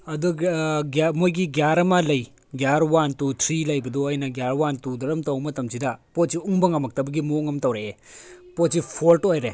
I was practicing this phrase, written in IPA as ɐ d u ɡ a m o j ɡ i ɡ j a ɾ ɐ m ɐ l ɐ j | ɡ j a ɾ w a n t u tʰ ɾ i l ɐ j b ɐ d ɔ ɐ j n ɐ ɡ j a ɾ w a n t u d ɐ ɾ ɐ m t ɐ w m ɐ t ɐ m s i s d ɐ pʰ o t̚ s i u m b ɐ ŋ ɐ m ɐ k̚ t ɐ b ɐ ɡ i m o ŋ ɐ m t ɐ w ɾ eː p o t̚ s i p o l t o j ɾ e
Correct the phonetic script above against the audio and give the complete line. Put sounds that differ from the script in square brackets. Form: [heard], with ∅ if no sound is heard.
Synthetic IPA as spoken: ɐ d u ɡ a m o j ɡ i ɡ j a ɾ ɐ m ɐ l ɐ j | ɡ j a ɾ w a n t u tʰ ɾ i l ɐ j b ɐ d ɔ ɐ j n ɐ ɡ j a ɾ w a n t u d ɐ ɾ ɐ m t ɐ w m ɐ t ɐ m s i [∅] d ɐ [p] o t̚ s i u [ŋ] b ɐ ŋ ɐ m ɐ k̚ t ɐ b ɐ ɡ i m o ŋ ɐ m t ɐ w ɾ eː p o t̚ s i [pʰ] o l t o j ɾ e